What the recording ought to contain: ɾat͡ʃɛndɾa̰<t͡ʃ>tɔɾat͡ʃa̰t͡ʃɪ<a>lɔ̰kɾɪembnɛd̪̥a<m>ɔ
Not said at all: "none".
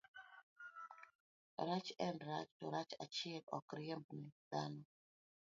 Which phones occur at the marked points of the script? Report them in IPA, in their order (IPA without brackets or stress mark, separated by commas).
t͡ʃ, ɛ, n